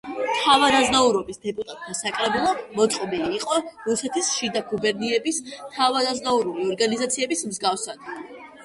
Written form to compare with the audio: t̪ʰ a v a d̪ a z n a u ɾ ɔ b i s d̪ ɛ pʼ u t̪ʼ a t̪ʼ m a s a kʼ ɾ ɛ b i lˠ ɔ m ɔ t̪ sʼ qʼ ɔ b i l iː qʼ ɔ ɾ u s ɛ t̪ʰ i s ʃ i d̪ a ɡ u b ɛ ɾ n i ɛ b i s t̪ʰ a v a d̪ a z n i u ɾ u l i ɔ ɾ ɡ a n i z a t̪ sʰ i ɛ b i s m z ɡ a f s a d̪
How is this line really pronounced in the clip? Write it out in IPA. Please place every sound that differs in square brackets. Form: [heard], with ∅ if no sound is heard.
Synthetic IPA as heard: t̪ʰ a v a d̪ a z n a u ɾ ɔ b i s d̪ ɛ pʼ u t̪ʼ a t̪ʼ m a s a kʼ ɾ ɛ b i lˠ ɔ m ɔ t̪ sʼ qʼ ɔ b i l iː qʼ ɔ ɾ u s ɛ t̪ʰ i s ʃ i d̪ a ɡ u b ɛ ɾ n i ɛ b i s t̪ʰ a v a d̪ a z n [a] u ɾ u l i ɔ ɾ ɡ a n i z a t̪ sʰ i ɛ b i s m z ɡ a f s a d̪